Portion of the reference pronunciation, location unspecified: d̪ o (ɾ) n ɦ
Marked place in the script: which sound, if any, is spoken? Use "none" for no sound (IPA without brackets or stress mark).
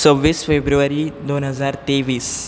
none